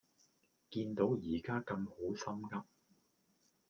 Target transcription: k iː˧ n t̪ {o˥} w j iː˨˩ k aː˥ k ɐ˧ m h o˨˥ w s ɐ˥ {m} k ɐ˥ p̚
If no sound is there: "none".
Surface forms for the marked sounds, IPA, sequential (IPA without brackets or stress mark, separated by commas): o˨˥, m